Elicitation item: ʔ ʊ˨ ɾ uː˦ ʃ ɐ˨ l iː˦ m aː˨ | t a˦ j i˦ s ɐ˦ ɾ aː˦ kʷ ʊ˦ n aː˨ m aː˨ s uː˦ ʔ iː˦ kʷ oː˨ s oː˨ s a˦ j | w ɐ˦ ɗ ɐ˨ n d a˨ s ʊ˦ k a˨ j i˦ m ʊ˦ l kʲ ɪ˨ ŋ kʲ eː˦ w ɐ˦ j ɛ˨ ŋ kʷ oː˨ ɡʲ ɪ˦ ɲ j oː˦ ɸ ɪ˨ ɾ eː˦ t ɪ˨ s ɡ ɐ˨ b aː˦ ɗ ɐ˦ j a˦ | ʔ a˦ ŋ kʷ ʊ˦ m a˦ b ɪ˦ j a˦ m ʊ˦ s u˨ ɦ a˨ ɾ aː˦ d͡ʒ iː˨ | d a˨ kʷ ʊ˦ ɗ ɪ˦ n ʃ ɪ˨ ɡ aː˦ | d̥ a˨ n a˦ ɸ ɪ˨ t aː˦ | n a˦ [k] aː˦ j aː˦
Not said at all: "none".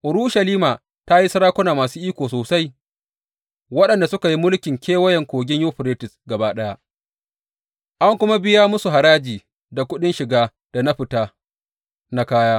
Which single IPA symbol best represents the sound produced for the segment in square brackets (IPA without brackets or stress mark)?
k